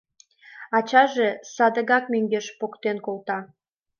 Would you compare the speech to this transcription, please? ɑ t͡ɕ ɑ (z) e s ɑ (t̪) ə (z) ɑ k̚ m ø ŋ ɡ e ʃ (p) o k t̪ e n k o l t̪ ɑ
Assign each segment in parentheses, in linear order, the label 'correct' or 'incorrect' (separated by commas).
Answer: incorrect, incorrect, incorrect, correct